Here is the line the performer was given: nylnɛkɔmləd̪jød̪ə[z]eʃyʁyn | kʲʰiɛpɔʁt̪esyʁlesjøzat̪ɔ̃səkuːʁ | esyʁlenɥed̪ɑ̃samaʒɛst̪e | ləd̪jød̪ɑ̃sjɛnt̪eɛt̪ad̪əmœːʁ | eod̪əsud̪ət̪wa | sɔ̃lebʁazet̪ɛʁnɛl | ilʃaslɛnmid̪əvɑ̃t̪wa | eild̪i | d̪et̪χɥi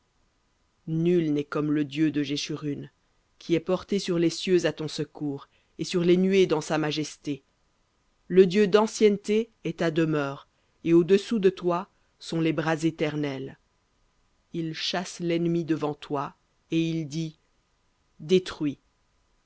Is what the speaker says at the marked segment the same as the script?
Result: no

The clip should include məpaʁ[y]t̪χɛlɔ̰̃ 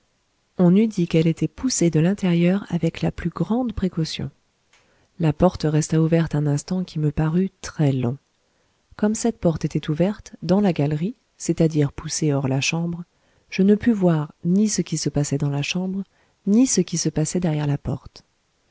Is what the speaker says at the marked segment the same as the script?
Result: yes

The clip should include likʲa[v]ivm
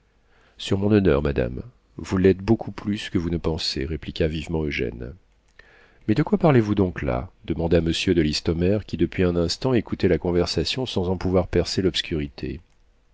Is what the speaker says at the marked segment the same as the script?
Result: yes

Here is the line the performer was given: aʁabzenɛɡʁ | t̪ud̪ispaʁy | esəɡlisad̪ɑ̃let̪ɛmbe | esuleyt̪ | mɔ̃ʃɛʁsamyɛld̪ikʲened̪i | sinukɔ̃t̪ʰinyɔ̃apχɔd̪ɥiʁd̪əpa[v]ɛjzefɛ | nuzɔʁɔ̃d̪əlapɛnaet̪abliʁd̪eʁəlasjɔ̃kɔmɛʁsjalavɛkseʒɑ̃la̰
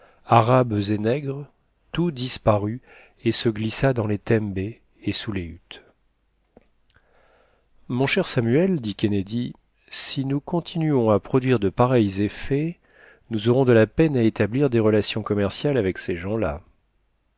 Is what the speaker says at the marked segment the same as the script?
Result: no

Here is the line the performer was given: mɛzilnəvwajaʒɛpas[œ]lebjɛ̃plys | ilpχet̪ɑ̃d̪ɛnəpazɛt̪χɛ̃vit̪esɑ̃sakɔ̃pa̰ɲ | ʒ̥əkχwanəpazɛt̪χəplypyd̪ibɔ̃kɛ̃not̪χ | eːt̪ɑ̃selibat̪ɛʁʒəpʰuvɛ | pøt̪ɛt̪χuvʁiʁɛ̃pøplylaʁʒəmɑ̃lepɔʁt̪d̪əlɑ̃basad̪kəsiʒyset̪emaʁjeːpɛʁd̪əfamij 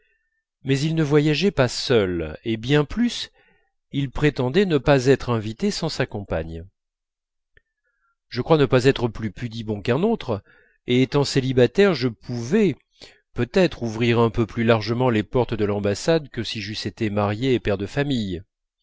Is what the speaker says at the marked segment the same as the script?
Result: yes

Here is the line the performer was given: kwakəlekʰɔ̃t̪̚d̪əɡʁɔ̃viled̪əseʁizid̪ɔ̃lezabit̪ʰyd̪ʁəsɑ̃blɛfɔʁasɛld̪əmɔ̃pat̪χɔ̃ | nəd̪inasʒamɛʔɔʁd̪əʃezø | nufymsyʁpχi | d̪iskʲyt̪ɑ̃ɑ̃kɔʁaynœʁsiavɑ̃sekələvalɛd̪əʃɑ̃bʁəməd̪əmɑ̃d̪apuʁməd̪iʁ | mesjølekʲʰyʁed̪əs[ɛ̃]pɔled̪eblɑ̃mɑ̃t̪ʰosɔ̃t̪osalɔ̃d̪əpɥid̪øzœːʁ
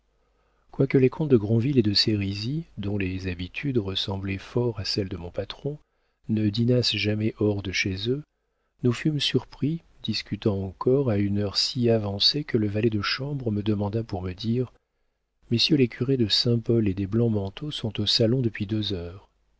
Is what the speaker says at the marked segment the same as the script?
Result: yes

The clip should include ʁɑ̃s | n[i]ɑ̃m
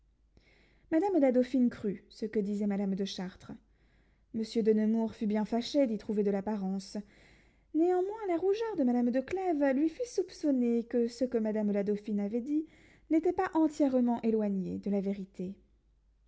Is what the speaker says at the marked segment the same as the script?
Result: no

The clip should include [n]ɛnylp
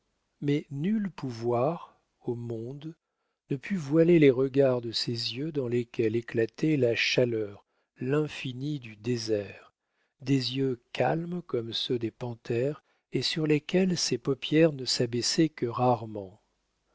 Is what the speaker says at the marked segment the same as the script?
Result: no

